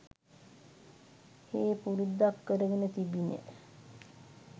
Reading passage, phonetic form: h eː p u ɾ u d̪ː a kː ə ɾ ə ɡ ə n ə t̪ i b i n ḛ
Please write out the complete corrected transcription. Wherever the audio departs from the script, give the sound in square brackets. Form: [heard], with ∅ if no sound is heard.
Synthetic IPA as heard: h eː p u ɾ u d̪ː a kː ə ɾ ə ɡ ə n ə t̪ i b i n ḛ